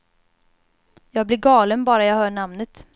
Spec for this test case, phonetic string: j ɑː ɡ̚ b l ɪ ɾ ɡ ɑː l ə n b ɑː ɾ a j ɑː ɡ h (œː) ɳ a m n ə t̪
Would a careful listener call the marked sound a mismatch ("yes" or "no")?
no